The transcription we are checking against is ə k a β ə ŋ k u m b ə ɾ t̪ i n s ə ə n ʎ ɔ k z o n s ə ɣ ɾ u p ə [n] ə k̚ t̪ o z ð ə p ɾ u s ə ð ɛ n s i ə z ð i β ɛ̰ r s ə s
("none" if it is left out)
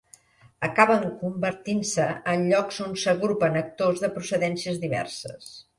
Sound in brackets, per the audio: n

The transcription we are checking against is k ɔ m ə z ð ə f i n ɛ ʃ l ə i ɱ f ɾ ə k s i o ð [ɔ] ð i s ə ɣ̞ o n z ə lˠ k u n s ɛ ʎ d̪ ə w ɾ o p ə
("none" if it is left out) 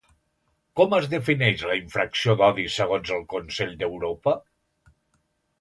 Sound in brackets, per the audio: ɔ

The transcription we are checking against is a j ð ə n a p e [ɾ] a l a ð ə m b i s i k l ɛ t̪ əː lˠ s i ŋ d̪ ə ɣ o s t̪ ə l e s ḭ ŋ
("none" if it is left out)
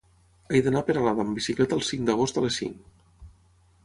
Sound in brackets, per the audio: ɾ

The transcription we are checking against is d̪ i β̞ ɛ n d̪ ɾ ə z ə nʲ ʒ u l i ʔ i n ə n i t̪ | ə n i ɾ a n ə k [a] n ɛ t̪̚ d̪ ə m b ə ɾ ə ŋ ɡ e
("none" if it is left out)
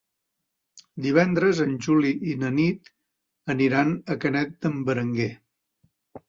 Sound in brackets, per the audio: ə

